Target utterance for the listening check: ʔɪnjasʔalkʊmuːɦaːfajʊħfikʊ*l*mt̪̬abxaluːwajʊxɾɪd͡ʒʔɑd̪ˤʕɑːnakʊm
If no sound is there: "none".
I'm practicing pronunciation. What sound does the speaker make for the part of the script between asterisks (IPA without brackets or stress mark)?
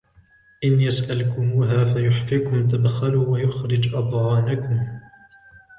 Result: none